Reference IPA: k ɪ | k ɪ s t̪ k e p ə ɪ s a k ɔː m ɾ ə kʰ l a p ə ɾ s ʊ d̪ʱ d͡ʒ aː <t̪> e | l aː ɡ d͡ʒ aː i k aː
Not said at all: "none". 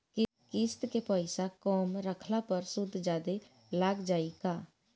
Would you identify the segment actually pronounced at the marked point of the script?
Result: d̪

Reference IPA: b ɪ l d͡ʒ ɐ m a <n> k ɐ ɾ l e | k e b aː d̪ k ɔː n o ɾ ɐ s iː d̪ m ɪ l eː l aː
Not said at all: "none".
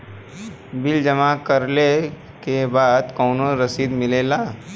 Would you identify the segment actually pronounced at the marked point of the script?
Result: none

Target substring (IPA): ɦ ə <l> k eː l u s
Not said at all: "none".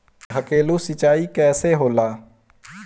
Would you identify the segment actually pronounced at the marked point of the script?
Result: none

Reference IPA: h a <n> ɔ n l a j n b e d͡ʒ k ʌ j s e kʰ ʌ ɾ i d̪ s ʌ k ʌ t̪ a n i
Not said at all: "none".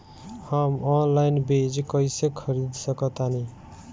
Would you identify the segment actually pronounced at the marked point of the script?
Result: m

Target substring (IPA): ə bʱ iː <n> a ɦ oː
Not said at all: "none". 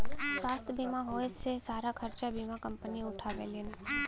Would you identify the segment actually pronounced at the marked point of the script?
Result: m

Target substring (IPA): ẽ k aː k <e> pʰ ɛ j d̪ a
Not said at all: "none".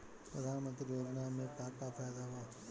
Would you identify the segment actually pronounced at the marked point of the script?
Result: a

